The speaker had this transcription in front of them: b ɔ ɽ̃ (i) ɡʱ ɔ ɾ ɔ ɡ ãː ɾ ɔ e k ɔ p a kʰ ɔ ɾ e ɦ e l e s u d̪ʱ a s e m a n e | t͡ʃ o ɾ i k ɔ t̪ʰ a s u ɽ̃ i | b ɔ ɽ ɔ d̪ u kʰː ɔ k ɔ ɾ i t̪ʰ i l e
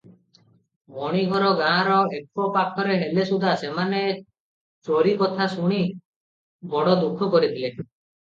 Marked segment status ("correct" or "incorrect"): correct